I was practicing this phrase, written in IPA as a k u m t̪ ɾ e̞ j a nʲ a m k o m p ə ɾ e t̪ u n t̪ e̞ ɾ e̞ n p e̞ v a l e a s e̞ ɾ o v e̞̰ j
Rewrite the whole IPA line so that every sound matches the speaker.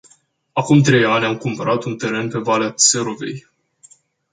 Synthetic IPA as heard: a k u m t̪ ɾ e̞ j a nʲ a m k u m p ə ɾ a t̪ u n t̪ e̞ ɾ e̞ n p e̞ v a l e a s e̞ ɾ o v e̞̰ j